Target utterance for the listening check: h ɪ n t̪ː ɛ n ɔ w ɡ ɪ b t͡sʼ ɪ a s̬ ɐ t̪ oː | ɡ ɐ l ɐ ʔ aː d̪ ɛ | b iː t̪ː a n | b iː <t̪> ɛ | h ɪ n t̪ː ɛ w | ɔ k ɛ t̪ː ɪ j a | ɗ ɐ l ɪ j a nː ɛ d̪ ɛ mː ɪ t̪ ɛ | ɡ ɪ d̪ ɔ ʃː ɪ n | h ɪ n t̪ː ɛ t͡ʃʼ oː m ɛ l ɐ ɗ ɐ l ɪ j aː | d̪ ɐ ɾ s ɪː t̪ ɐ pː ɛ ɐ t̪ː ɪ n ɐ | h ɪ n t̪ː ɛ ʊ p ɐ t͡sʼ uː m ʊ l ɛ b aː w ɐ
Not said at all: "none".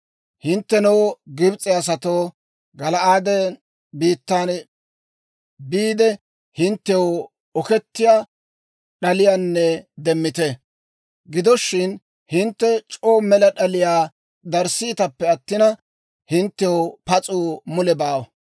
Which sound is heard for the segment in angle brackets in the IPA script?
d̪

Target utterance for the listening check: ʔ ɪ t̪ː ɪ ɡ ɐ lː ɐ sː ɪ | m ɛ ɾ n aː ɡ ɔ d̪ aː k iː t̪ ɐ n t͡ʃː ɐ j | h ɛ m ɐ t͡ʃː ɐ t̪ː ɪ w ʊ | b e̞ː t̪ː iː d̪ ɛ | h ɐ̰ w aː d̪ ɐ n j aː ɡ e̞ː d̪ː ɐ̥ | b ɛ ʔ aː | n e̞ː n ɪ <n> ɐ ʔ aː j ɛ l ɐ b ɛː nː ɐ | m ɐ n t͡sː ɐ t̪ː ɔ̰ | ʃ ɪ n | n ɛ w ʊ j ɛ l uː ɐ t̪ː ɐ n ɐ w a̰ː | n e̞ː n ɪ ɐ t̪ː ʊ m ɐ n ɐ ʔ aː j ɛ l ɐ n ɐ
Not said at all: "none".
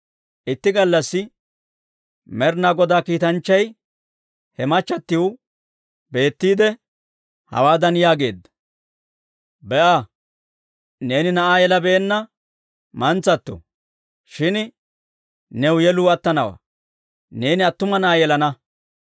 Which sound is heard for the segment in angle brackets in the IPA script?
n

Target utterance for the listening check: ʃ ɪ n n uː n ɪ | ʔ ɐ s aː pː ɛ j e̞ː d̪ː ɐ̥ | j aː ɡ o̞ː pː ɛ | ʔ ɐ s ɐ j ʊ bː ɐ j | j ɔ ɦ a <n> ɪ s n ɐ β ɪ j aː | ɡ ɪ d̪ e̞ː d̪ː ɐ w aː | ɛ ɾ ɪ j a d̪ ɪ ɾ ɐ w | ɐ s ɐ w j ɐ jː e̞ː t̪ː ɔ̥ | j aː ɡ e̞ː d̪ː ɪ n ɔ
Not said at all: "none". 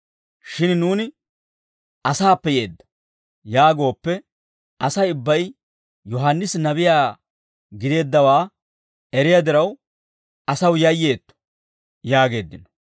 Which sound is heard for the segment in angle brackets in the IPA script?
nː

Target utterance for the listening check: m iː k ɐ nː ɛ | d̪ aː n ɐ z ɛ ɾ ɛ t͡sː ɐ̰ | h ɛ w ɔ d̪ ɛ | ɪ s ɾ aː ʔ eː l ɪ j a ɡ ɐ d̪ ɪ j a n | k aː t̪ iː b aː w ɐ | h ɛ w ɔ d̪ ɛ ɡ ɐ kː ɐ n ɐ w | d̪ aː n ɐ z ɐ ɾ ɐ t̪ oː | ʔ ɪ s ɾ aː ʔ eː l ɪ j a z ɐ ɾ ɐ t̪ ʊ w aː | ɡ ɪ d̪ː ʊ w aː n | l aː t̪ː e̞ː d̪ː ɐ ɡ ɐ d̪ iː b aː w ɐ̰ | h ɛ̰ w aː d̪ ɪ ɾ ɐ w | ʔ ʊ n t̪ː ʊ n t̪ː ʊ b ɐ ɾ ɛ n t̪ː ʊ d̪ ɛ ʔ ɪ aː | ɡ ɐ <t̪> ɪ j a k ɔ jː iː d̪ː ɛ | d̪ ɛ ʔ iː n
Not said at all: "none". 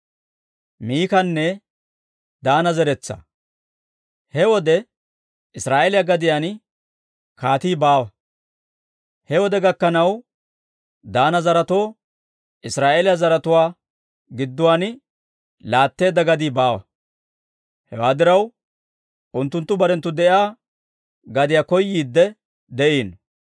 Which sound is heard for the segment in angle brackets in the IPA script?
d̪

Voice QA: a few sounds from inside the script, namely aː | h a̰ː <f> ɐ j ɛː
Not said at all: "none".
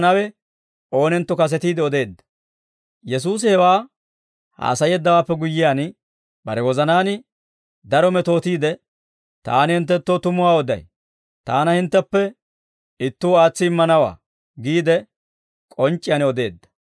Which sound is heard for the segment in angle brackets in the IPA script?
s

